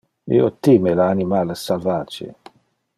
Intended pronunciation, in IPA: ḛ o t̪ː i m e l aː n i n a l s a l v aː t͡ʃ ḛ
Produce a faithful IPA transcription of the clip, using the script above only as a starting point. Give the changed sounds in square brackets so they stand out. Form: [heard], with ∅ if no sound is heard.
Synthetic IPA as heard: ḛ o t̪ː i m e l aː n i [m] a l s a l v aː t͡ʃ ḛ

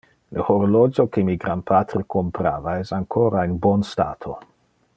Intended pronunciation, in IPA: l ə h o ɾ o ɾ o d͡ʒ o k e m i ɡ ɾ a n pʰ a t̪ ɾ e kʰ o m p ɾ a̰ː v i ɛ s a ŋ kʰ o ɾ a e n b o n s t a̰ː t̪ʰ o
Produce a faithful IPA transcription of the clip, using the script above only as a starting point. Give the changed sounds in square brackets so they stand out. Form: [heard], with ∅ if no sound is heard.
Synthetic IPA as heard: l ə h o ɾ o [l] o d͡ʒ o k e m i ɡ ɾ a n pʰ a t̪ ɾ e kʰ o m p ɾ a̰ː v [a] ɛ s a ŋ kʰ o ɾ a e n b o n s t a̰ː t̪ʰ o

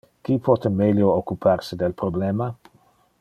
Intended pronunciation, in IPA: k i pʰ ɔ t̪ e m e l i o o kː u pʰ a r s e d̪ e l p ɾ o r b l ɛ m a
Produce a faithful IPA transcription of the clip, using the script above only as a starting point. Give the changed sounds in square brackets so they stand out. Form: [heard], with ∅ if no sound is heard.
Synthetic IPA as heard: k i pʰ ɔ t̪ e m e l [j] o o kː u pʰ a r s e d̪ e l p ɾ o [∅] b l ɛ m a

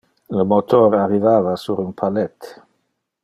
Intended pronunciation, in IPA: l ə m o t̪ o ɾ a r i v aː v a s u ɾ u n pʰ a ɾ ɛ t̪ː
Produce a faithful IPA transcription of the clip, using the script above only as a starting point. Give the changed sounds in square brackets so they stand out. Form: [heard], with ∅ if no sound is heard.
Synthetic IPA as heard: l ə m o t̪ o ɾ a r i v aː v a s u ɾ u n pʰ a [l] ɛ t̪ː

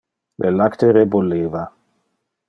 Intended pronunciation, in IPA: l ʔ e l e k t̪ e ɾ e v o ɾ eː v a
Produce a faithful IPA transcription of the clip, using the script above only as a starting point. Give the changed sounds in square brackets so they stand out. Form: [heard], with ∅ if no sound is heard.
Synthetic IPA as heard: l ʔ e l [a] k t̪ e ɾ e [b] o [l] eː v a

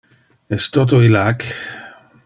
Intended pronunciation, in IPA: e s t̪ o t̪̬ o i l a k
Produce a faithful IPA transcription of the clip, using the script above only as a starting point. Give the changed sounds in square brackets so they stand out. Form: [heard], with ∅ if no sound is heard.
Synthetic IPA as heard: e s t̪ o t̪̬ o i l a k

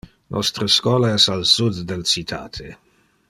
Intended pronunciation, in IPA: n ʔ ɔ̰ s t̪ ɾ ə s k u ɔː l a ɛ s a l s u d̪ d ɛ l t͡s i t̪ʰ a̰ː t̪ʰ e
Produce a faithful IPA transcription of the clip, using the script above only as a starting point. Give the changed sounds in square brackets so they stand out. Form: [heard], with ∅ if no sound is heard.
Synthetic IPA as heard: n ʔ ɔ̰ s t̪ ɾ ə s k [w] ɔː l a ɛ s a l s u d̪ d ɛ l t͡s i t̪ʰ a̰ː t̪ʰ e

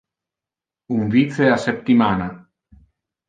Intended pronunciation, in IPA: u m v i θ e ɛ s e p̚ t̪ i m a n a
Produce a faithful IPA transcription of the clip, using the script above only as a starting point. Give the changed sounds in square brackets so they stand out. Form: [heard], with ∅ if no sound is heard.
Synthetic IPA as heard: u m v i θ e [a] s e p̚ t̪ i m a n a

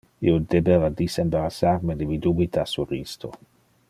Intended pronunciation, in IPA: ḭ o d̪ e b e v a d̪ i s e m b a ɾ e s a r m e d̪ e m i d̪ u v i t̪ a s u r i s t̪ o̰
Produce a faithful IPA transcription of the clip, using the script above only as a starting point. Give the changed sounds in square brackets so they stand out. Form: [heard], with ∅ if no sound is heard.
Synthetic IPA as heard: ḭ o d̪ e b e v a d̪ i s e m b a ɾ [a] s a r m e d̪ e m i d̪ u [b] i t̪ a s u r i s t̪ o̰

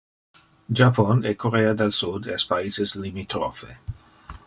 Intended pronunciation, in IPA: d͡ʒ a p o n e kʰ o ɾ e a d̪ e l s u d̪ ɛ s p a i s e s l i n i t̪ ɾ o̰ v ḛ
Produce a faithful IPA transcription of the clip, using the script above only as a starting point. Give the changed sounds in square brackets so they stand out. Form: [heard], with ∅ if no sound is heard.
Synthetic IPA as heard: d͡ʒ a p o n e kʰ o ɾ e a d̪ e l s u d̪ ɛ s p a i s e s l i [m] i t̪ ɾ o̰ [f] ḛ

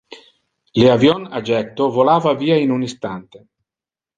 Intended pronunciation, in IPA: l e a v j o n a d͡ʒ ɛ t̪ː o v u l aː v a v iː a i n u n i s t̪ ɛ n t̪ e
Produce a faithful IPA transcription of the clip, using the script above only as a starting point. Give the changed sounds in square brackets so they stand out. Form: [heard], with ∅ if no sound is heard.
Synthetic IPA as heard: l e a v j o n a d͡ʒ ɛ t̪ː o v [o] l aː v a v iː a i n u n i s t̪ [a] n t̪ e

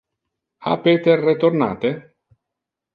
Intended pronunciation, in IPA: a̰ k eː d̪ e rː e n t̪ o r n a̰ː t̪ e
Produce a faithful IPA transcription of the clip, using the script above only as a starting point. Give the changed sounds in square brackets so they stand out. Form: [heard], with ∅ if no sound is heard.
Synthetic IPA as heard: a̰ [p] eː [t̪] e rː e [∅] t̪ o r n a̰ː t̪ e

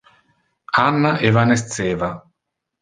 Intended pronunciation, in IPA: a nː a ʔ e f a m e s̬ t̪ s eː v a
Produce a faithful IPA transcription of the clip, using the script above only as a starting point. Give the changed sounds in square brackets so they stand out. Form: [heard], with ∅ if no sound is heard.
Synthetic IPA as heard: a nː a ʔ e [v] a [n] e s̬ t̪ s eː v a

